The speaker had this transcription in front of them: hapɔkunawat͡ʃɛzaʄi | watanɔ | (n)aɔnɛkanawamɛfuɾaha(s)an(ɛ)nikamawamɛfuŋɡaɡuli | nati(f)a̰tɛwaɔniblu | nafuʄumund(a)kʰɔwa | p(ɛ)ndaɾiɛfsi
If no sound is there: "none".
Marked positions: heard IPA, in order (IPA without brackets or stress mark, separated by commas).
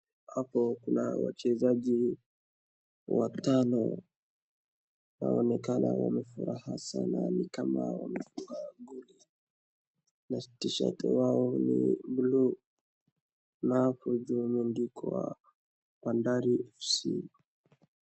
n, s, a, ʃ, i, a